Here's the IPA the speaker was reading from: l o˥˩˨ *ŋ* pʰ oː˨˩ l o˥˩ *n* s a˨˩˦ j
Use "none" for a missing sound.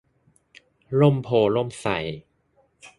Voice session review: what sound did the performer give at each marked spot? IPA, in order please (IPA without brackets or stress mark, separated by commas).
m, m